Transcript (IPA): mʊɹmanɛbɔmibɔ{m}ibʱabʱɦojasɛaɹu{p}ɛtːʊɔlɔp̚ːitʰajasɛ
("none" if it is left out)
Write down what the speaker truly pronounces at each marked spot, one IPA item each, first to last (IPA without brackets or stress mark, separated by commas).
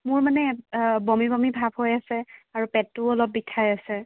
m, p